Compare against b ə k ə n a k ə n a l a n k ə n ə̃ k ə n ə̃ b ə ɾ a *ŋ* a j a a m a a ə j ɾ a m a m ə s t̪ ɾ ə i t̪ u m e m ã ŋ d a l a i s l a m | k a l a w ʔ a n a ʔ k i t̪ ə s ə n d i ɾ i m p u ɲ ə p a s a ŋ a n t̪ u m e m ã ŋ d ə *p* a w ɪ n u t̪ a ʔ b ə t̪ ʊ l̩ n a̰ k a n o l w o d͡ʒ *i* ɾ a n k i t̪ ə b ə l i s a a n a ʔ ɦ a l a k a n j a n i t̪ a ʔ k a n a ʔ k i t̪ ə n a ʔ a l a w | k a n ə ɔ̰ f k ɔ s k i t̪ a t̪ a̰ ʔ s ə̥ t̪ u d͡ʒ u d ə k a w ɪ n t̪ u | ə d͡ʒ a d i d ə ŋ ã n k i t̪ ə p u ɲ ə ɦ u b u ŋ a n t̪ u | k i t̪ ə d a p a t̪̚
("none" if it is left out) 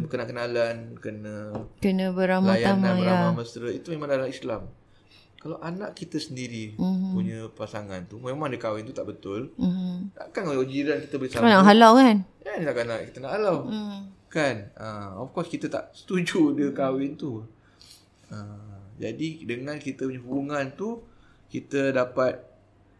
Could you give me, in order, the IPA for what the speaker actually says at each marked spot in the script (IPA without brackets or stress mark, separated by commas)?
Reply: m, k, i